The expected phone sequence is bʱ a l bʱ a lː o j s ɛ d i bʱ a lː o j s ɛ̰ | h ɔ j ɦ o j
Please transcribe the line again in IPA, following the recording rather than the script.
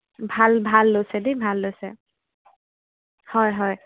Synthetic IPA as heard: bʱ a l bʱ a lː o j s ɛ d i bʱ a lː o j s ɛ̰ | h ɔ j ɦ ɔ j